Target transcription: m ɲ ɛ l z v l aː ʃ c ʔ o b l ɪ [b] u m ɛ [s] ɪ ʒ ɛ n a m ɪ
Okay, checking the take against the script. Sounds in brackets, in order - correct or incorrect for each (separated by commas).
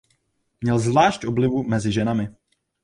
incorrect, incorrect